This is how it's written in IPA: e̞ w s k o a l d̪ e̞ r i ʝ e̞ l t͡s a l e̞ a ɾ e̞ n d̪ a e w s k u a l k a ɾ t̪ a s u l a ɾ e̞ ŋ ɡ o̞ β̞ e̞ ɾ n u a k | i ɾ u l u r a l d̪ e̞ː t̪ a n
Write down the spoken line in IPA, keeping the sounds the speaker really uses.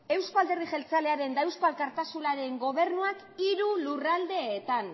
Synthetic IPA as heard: e̞ w s k o a l d̪ e̞ r i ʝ e̞ l t͡s a l e̞ a ɾ e̞ n d̪ a e w s k o a l k a ɾ t̪ a s u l a ɾ e̞ ŋ ɡ o̞ β̞ e̞ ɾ n u a k | i ɾ u l u r a l d̪ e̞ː t̪ a n